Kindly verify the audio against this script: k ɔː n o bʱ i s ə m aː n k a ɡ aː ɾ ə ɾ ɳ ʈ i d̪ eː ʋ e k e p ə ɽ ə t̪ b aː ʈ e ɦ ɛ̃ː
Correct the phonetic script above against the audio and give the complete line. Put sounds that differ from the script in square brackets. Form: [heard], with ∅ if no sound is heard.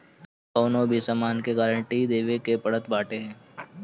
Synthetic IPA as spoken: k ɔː n o bʱ i s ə m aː n k [e] ɡ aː ɾ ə [∅] ɳ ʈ i d̪ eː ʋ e k e p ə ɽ ə t̪ b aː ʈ e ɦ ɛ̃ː